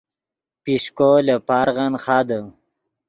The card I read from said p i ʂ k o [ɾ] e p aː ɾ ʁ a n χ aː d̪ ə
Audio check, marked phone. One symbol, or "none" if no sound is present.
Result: l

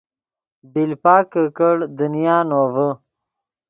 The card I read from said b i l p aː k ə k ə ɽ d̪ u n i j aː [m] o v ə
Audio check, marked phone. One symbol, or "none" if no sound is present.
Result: n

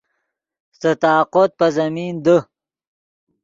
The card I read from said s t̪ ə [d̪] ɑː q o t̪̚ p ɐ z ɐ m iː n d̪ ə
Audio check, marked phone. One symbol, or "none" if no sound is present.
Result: t̪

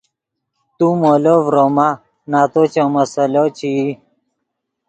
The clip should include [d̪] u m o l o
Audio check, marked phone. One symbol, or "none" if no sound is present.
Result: t̪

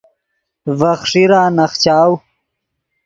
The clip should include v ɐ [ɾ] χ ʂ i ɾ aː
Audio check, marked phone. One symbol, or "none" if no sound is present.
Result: none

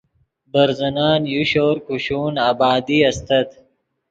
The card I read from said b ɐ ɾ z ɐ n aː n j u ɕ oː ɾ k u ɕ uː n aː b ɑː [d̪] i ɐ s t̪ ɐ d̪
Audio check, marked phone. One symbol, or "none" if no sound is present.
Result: d̪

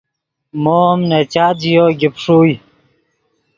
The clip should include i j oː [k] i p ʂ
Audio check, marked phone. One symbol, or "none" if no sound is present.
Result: ɡ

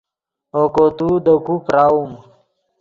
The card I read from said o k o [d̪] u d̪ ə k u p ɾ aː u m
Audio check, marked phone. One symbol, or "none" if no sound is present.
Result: t̪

